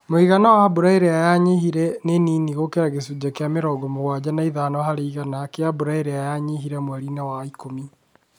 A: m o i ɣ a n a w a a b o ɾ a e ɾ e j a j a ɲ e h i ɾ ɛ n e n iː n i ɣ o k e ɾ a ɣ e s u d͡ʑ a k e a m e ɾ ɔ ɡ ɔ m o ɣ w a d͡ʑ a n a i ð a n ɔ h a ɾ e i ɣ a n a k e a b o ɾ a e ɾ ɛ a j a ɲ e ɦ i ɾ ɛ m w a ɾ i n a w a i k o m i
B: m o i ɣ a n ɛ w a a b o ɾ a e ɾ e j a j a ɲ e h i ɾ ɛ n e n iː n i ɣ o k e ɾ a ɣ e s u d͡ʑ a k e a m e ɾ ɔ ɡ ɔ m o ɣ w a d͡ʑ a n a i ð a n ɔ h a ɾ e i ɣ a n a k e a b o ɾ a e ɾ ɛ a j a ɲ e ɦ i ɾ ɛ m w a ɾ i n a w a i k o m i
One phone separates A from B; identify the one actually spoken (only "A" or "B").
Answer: A